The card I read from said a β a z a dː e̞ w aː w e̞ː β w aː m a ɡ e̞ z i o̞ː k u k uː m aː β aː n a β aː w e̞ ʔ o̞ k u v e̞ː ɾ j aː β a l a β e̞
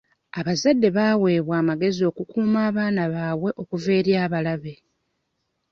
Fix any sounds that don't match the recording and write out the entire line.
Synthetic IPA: a β a z a dː e̞ β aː w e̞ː β w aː m a ɡ e̞ z i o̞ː k u k uː m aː β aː n a β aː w e̞ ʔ o̞ k u v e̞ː ɾ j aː β a l a β e̞